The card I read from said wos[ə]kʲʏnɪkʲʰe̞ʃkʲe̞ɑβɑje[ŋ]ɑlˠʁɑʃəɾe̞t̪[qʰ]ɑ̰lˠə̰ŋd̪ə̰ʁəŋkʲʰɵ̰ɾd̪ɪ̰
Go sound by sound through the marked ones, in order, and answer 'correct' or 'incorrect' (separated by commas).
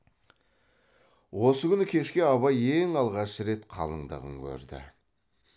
correct, correct, correct